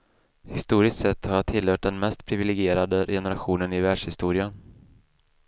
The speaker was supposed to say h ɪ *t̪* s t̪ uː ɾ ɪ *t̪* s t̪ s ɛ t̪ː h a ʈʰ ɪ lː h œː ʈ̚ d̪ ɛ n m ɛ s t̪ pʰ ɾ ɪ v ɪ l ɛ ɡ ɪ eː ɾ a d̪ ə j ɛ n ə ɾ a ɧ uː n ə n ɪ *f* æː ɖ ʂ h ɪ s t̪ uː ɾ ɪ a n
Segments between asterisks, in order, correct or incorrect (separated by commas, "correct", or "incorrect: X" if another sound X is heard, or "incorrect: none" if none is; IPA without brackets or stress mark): incorrect: none, incorrect: none, incorrect: v